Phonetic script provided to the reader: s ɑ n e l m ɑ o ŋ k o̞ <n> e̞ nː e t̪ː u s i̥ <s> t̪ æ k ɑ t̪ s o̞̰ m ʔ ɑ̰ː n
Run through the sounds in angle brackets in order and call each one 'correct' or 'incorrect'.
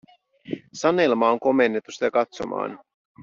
incorrect: m, incorrect: none

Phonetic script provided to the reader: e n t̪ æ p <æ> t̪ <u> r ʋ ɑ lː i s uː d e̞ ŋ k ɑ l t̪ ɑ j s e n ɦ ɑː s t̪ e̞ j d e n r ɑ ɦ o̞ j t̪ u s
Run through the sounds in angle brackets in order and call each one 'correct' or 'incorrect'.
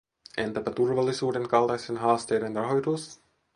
correct, correct

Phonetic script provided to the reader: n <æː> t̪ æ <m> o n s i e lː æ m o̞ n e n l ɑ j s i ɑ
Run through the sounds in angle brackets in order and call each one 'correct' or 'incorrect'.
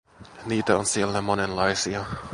incorrect: iː, incorrect: none

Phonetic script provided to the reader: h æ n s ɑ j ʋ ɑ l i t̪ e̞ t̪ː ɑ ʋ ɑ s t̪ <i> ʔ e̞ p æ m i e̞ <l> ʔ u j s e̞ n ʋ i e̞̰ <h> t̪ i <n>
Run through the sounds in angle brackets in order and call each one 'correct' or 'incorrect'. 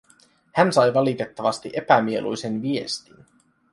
correct, correct, incorrect: s, correct

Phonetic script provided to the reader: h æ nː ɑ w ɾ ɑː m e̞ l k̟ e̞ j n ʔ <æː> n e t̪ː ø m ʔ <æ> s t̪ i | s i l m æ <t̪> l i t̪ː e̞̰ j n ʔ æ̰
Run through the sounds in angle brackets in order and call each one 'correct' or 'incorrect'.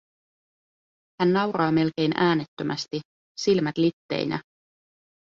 correct, correct, correct

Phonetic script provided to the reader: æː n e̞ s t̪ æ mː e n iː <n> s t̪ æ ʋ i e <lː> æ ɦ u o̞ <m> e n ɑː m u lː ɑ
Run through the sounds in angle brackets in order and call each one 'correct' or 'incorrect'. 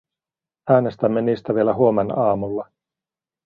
incorrect: none, incorrect: l, correct

